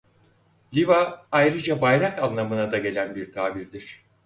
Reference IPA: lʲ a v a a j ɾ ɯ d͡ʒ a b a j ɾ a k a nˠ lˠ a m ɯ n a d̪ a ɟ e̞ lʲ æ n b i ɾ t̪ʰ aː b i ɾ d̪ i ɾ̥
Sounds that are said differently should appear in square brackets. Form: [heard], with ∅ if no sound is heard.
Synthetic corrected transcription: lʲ [i] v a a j ɾ ɯ d͡ʒ a b a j ɾ a k a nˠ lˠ a m ɯ n a d̪ a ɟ e̞ lʲ æ n b i ɾ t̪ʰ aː b i ɾ d̪ i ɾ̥